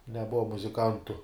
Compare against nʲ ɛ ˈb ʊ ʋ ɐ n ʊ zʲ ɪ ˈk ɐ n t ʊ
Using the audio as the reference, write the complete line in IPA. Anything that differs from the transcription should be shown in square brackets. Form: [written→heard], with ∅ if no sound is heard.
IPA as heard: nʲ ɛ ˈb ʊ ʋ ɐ [n→m] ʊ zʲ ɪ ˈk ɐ n t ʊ